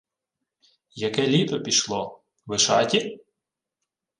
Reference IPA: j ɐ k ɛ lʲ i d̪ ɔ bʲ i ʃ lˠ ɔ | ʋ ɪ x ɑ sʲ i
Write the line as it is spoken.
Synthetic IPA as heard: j ɐ k ɛ lʲ i t̪ ɔ pʲ i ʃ lˠ ɔ | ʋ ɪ ʃ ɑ tʲ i